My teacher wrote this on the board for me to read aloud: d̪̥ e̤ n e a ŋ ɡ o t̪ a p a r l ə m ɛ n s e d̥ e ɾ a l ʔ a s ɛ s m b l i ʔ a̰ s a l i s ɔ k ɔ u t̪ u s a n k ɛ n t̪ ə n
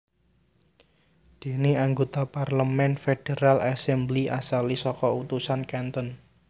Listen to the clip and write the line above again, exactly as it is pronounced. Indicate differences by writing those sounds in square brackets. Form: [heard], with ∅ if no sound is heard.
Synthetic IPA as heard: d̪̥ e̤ n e a ŋ ɡ o t̪ a p a r l ə m ɛ n [f] e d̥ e ɾ a l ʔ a s ɛ [∅] m b l i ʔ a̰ s a l i s ɔ k ɔ u t̪ u s a n k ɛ n t̪ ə n